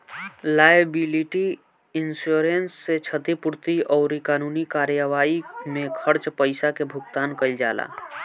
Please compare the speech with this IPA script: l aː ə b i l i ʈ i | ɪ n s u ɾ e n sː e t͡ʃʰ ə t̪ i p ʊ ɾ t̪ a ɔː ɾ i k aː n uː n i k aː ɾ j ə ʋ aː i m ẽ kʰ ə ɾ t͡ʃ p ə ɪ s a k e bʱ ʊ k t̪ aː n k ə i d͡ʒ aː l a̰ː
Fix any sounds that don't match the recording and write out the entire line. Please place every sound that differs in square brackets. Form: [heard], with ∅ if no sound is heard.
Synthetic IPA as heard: l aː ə b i l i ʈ i | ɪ n s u ɾ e n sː e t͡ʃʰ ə t̪ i p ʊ ɾ t̪ [i] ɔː ɾ i k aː n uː n i k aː ɾ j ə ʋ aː i m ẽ kʰ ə ɾ t͡ʃ p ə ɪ s a k e bʱ ʊ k t̪ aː n k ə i d͡ʒ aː l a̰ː